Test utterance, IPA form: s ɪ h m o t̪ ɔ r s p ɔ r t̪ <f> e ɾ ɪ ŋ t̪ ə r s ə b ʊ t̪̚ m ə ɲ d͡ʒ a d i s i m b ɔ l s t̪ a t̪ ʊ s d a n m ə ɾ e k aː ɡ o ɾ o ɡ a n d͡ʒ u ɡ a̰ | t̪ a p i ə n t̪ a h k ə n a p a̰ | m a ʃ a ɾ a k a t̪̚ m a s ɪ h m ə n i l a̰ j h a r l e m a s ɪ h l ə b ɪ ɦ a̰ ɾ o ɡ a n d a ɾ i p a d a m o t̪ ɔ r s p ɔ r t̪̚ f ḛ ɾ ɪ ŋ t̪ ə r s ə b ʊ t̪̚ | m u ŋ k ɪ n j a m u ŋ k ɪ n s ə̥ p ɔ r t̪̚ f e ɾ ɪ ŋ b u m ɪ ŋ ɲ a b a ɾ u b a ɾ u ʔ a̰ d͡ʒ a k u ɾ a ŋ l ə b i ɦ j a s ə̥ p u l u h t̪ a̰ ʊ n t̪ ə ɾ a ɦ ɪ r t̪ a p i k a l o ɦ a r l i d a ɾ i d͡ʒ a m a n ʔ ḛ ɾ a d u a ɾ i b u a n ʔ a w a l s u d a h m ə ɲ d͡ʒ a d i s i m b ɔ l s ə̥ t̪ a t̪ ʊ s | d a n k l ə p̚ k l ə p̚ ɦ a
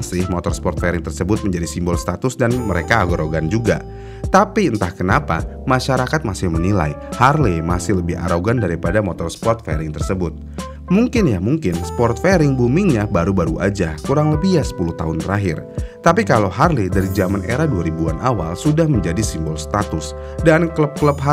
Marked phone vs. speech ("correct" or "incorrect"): correct